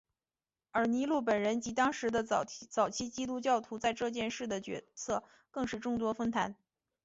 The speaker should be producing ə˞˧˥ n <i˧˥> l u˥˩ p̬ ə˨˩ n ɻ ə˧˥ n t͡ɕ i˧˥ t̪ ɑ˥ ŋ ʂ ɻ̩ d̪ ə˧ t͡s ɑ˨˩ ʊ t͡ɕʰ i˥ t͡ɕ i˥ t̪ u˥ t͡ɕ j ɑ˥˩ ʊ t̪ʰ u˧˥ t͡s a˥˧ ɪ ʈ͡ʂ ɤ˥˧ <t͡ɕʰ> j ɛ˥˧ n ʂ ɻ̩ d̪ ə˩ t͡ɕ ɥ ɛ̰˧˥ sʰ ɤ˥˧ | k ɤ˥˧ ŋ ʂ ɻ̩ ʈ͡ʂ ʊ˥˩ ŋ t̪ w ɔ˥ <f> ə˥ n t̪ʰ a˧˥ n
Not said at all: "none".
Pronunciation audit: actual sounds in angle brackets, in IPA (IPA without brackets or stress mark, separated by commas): i˧˥, t͡ɕ, f